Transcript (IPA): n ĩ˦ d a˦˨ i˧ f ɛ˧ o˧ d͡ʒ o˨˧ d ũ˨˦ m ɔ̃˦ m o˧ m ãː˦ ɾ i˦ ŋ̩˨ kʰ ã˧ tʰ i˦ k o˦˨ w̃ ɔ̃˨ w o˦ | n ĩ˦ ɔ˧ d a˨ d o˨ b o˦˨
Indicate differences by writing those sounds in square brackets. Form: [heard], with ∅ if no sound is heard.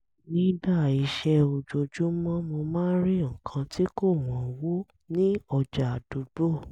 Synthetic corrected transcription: n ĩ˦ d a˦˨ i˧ [ʃ] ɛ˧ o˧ d͡ʒ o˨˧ [d͡ʒ] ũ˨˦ m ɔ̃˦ m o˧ m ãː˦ ɾ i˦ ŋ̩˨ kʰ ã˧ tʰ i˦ k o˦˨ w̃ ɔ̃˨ w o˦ | n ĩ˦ ɔ˧ [d͡ʒ] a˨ d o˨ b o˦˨

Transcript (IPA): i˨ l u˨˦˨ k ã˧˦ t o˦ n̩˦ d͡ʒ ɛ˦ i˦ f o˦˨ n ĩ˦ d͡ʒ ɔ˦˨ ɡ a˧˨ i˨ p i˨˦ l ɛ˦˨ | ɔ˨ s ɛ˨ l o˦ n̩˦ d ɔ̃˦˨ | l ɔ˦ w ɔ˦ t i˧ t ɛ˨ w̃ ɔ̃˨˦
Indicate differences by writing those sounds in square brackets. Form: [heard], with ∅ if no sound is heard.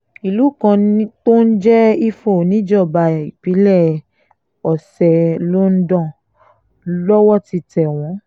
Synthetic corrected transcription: i˨ l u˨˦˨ k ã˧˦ t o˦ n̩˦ d͡ʒ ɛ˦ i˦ f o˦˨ n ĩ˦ d͡ʒ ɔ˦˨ [b] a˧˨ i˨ p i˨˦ l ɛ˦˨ | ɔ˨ s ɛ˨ l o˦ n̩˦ d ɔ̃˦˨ | l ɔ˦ w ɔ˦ t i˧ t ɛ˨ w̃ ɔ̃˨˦

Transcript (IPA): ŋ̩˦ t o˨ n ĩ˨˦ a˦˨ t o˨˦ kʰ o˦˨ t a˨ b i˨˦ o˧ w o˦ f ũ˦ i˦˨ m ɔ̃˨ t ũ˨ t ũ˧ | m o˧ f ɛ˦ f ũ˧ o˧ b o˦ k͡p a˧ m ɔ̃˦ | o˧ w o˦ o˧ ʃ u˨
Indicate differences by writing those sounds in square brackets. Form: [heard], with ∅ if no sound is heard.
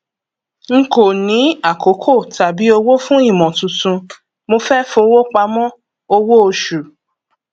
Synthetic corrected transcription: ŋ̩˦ [k] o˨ n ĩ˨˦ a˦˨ [k] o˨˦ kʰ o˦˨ t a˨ b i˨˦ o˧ w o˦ f ũ˦ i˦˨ m ɔ̃˨ t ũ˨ t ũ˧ | m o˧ f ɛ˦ f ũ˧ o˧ [w] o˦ k͡p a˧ m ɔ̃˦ | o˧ w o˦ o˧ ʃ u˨

